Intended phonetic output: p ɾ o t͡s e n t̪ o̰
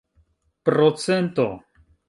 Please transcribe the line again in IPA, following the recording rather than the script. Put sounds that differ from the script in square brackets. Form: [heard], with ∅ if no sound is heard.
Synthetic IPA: p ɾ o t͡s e n t̪ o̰